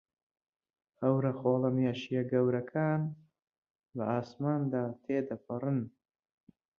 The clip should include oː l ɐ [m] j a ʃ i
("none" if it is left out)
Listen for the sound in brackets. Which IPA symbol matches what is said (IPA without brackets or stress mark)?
m